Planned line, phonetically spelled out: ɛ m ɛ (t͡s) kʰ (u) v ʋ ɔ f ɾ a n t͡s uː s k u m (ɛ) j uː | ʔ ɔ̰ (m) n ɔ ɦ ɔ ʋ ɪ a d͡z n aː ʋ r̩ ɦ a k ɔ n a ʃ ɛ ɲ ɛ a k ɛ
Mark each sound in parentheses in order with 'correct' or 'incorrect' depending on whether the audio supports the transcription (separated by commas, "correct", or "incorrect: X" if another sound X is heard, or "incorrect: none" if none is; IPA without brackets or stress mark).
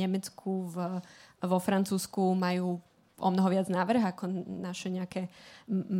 correct, correct, incorrect: a, correct